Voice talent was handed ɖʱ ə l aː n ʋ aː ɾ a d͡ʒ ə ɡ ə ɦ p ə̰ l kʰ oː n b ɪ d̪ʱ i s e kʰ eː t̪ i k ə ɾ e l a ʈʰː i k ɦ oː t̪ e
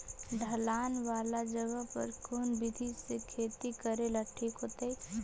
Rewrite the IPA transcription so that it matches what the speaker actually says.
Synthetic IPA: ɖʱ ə l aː n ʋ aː l a d͡ʒ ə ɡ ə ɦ p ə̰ ɾ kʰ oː n b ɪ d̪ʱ i s e kʰ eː t̪ i k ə ɾ e l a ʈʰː i k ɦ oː t̪ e